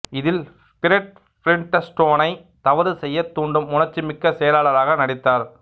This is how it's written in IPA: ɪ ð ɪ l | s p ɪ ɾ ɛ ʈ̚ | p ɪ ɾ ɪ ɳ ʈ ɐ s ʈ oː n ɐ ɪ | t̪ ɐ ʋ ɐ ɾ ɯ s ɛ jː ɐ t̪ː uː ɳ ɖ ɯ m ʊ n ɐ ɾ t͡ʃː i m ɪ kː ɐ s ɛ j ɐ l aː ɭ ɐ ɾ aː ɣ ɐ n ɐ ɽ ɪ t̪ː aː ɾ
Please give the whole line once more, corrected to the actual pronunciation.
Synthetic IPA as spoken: ɪ ð ɪ l | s p ɪ ɾ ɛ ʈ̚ | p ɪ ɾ ɪ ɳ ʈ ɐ s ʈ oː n ɐ ɪ | t̪ ɐ ʋ ɐ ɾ ɯ s ɛ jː ɐ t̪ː uː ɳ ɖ ɯ m ʊ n ɐ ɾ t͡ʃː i m ɪ kː ɐ s ɛ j ɐ l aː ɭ ɐ ɾ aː ɣ ɐ n ɐ ɽ ɪ t̪ː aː ɾ